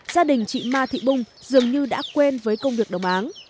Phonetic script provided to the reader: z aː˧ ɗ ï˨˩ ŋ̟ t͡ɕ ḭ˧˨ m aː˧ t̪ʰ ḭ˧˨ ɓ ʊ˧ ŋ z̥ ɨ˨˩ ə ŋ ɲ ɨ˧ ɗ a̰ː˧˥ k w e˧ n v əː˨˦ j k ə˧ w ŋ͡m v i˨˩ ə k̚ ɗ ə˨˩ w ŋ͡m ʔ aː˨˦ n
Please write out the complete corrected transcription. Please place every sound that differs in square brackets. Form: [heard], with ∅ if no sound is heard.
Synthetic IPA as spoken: z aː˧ ɗ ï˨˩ ŋ̟ t͡ɕ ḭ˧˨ m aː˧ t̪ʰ ḭ˧˨ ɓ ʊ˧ [ŋ͡m] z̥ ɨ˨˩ ə ŋ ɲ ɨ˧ ɗ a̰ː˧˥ k w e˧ n v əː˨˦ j k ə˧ w ŋ͡m v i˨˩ ə k̚ ɗ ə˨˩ w ŋ͡m ʔ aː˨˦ n